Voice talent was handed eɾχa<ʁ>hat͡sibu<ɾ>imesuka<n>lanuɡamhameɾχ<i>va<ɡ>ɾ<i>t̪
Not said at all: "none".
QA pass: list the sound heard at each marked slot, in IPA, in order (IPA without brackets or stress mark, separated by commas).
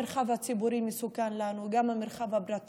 v, ɾ, n, a, b, a